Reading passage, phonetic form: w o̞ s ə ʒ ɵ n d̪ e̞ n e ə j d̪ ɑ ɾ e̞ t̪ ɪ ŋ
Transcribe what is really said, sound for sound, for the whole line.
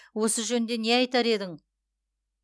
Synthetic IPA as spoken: w o̞ s ə ʒ ɵ n d̪ e̞ n e ɑ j t̪ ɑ ɾ e̞ d̪ ɪ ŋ